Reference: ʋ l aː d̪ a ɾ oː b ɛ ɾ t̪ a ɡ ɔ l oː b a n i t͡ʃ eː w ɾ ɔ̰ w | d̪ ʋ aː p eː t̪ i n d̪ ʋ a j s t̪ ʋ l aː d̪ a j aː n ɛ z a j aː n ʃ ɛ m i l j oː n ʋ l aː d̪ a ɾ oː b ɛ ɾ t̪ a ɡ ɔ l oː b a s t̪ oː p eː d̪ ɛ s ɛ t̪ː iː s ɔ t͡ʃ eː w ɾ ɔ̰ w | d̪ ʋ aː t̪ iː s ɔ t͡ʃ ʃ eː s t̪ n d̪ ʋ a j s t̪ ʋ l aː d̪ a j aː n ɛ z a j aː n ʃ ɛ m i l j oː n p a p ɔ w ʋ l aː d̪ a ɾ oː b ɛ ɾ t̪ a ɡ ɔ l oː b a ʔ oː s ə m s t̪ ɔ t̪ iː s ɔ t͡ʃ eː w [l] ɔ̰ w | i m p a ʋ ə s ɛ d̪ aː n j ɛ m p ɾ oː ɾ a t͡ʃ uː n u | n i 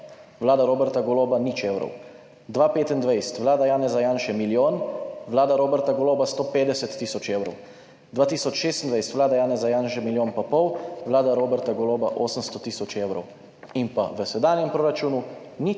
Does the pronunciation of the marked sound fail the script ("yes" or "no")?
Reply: yes